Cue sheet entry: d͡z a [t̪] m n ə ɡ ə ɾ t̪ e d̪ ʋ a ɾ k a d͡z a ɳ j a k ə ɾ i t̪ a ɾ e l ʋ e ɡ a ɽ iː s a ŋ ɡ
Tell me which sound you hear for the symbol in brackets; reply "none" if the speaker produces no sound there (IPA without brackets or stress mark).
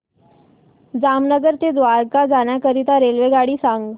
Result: none